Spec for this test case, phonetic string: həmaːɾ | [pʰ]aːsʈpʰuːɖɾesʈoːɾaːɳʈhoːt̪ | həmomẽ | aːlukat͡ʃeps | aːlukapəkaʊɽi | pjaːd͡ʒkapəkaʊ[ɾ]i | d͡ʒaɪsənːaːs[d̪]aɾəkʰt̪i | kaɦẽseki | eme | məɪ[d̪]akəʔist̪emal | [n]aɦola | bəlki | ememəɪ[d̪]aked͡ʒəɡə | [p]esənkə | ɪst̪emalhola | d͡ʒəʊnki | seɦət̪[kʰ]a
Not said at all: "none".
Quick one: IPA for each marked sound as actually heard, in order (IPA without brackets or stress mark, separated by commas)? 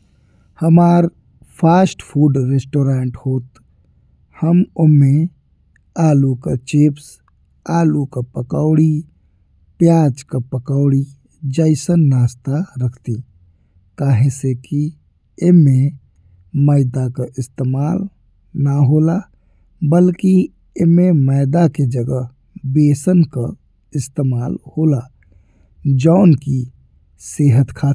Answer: pʰ, ɽ, t̪, d̪, n, d̪, b, kʰ